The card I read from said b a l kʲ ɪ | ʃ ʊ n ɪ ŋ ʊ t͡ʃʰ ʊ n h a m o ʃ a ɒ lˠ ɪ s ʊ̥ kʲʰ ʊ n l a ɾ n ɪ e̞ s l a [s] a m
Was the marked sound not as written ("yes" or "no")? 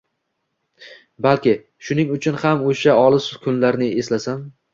no